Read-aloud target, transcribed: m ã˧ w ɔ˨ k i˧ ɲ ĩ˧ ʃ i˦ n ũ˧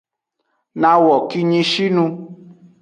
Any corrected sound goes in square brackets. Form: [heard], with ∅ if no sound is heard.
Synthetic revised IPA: [n] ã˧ w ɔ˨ k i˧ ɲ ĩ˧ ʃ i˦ n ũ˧